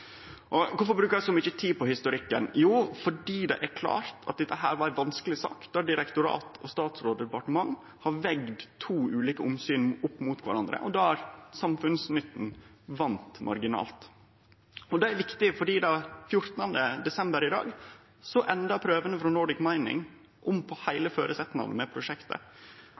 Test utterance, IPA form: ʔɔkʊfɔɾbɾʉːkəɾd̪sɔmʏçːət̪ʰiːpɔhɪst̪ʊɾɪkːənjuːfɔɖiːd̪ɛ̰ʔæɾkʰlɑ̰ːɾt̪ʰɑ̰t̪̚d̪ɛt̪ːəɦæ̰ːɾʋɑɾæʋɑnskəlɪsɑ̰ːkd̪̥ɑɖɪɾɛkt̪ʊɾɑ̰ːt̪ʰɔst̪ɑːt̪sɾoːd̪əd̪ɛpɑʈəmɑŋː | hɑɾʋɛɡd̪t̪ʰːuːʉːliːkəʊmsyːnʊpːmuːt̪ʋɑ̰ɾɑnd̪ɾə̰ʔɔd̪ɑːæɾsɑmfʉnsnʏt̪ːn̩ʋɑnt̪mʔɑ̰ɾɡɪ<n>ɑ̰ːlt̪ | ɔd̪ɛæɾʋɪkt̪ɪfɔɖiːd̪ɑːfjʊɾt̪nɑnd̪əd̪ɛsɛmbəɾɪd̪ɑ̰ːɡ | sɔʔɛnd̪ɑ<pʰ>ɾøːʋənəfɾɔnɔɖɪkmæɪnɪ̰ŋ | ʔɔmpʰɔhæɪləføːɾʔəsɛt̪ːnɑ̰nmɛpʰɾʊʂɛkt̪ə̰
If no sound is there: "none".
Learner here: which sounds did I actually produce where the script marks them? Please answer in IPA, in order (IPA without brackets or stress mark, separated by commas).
n, pʰ